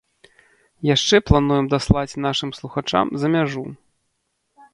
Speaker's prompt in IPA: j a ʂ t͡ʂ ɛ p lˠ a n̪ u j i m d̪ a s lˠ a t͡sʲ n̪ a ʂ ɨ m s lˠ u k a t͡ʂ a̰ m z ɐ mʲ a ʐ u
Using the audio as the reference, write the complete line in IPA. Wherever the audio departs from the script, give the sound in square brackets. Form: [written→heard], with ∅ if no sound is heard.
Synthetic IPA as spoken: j a ʂ t͡ʂ ɛ p lˠ a n̪ u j [i→ɛ] m d̪ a s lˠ a t͡sʲ n̪ a ʂ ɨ m s lˠ u [k→x] a t͡ʂ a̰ m z ɐ mʲ a ʐ u